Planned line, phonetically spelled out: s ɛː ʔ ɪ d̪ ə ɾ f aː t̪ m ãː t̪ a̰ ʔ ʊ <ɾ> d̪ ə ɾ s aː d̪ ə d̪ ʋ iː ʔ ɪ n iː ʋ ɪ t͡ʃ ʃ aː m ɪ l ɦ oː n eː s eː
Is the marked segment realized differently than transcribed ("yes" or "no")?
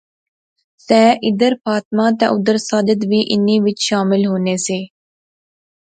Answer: yes